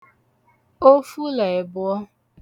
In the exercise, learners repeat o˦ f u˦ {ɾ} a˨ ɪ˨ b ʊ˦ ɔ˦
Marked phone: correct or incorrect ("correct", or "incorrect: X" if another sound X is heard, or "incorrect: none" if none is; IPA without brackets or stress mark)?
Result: incorrect: l